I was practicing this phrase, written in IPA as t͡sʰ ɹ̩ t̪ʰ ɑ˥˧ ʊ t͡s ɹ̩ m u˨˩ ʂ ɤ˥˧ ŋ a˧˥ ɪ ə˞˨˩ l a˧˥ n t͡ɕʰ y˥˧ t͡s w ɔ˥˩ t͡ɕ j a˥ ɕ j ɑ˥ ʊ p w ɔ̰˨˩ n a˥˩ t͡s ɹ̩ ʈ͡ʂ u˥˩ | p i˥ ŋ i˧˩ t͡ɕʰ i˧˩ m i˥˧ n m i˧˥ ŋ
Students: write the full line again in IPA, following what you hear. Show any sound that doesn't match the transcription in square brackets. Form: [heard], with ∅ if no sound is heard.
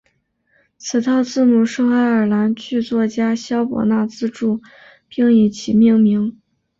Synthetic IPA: t͡sʰ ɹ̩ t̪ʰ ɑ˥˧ ʊ t͡s ɹ̩ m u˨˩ ʂ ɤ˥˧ ŋ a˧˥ ɪ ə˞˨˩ l a˧˥ n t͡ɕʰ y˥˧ t͡s w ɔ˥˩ t͡ɕ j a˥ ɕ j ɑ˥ ʊ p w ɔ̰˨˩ n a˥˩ t͡s ɹ̩ ʈ͡ʂ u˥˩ | p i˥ ŋ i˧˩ t͡ɕʰ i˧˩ m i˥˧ [ŋ] m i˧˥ ŋ